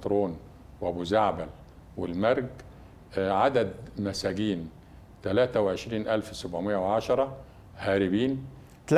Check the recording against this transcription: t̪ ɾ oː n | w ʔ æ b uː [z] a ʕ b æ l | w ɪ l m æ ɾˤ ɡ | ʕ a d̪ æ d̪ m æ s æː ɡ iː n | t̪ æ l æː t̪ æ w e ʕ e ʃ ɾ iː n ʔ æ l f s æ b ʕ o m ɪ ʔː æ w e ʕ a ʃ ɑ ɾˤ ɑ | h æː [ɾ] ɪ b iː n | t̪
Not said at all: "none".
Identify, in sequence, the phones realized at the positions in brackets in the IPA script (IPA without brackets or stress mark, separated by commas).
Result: z, ɾ